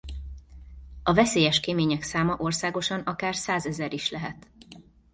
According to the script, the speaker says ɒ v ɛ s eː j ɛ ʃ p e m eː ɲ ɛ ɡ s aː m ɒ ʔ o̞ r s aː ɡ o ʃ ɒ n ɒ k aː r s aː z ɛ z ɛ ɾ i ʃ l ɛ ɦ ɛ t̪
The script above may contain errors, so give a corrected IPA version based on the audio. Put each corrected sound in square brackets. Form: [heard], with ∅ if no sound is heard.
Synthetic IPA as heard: ɒ v ɛ s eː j ɛ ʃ [k] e m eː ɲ ɛ [k] s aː m ɒ ʔ o̞ r s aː ɡ o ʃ ɒ n ɒ k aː r s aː z ɛ z ɛ ɾ i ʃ l ɛ ɦ ɛ t̪